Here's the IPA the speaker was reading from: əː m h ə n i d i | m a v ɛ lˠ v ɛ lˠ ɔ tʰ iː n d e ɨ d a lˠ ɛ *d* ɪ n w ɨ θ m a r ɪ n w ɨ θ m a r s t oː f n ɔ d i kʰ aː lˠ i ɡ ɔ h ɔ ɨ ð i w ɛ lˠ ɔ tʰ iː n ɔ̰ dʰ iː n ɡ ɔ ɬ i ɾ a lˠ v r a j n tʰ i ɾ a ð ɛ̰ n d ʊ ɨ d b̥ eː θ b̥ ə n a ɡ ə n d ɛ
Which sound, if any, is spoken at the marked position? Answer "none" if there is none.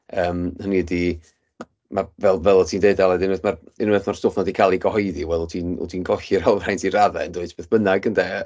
d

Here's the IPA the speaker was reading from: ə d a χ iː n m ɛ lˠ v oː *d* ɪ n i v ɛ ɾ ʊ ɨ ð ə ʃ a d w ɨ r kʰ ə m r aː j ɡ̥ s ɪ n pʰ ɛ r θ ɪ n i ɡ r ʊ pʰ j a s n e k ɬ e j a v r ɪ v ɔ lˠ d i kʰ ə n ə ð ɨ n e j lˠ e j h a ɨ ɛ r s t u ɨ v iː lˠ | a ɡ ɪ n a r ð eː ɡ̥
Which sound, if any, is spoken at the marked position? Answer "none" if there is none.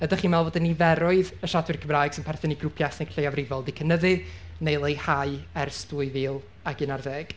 d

